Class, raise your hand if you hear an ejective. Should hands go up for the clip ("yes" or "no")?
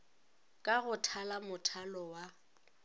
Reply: yes